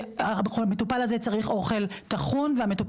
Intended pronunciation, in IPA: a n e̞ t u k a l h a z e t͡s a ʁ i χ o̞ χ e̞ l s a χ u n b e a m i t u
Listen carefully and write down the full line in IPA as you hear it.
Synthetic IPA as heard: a m e̞ t u p a l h a z e t͡s a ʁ i χ o̞ χ e̞ l t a χ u n v e a m e t u